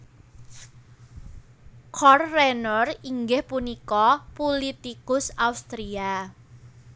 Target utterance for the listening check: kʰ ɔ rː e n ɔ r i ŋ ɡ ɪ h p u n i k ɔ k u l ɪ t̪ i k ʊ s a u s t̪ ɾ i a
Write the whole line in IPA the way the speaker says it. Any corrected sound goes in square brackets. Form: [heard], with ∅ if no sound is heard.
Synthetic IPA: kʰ ɔ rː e n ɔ r i ŋ ɡ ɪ h p u n i k ɔ [p] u l [i] t̪ i k ʊ s a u s t̪ ɾ i a